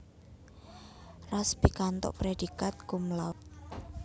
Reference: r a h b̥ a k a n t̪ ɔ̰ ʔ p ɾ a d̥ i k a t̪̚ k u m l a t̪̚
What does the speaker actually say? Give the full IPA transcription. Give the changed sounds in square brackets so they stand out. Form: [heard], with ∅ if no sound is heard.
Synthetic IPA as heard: r a [s] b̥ [i] k a n t̪ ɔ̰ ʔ p ɾ [e] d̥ i k a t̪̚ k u m l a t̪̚

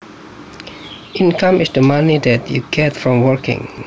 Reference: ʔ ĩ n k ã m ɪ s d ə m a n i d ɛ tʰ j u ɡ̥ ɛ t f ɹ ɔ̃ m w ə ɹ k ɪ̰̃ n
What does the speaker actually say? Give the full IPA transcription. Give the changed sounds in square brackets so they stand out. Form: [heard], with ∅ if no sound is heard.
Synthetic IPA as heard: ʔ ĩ n k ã m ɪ s d ə m a n i d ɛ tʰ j u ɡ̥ ɛ t f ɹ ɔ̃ m w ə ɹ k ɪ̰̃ [ŋ]

